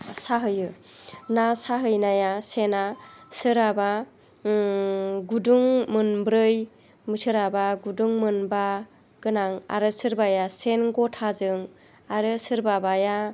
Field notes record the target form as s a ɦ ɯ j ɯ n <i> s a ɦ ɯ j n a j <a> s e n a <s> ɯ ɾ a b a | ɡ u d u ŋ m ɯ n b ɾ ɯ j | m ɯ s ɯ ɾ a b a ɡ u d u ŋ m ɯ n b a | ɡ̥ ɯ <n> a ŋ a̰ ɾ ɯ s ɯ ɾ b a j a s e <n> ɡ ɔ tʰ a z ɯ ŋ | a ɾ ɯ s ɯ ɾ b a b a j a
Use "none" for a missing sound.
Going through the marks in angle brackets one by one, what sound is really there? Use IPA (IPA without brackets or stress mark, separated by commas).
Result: a, a, s, n, n